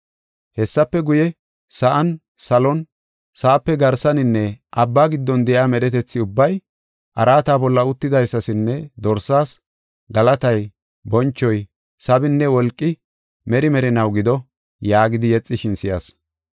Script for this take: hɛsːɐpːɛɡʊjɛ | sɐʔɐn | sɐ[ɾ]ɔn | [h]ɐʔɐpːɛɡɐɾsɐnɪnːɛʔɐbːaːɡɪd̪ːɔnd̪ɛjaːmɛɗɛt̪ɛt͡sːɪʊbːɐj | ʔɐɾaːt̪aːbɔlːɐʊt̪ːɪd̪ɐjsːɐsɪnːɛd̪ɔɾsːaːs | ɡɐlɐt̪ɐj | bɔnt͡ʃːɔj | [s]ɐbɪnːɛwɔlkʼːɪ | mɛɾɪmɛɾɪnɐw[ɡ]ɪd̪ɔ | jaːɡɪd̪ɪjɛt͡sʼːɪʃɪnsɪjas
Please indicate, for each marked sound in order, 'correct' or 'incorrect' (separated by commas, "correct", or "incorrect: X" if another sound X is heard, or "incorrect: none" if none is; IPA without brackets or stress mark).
incorrect: l, incorrect: s, correct, correct